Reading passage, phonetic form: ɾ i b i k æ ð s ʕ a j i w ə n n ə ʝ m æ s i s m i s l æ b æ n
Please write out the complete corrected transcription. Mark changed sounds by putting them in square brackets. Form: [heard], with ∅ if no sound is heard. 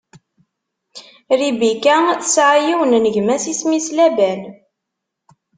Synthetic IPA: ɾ i b i k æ [θ] s ʕ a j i w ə n n ə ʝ m æ s i s m i s l æ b æ n

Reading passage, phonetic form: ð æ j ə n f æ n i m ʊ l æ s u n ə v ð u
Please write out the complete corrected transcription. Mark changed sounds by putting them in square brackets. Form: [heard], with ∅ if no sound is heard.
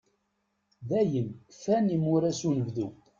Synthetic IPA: ð æ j ə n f æ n i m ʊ [ɾ] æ s u n ə v ð u

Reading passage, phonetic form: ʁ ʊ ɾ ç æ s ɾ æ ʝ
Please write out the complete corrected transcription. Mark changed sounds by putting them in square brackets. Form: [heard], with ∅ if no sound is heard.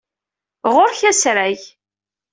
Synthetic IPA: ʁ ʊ ɾ ç æ s ɾ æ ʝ

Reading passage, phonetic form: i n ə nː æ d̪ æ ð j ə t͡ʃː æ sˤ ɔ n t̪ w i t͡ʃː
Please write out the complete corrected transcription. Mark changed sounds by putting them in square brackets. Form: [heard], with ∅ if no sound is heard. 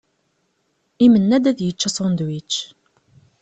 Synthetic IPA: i [m] ə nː æ d̪ æ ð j ə t͡ʃː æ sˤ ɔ n [d̪] w i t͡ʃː

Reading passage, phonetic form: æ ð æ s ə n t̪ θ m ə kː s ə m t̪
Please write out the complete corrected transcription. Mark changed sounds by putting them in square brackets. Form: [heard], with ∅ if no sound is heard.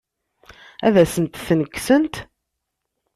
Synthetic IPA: æ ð æ s ə n t̪ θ [n] ə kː s ə [n] t̪

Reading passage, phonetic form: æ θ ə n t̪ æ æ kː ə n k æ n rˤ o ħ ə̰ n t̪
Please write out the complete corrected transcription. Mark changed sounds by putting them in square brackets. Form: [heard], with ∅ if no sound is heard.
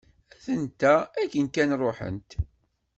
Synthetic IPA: æ θ ə n t̪ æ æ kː ə n k æ n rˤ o ħ ə̰ n t̪

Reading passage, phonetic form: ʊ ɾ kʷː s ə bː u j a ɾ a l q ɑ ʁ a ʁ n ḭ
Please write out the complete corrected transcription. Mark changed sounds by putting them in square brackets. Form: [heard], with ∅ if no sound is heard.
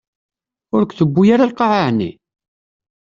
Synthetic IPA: ʊ ɾ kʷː [θ] ə bː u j a ɾ a l q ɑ [ʕ] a [ʕ] n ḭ

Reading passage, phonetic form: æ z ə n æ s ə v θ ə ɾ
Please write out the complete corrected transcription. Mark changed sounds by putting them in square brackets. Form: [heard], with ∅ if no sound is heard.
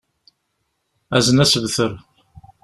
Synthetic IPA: æ z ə n æ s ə v θ ə ɾ

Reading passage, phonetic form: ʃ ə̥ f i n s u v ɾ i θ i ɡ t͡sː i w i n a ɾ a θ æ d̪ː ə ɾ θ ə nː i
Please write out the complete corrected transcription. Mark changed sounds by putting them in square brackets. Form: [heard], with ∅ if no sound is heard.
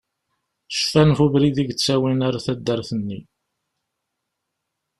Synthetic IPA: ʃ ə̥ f [æ] n [f] u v ɾ i [ð] i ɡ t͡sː [æ] w i n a ɾ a θ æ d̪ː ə ɾ θ ə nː i

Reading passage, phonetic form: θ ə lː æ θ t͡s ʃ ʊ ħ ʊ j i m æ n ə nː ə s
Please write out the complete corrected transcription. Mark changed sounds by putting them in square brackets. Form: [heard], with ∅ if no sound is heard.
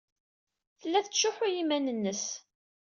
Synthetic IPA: θ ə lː æ θ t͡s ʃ ʊ ħ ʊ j i m æ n ə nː ə s

